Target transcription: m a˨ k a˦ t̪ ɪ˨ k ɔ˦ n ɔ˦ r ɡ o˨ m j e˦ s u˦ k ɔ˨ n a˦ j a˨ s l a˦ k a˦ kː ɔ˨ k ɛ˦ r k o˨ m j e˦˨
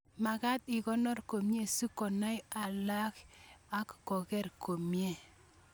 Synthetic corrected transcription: m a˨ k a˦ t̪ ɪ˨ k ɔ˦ n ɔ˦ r k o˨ m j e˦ s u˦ k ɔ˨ n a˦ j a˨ l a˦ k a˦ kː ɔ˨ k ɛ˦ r k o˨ m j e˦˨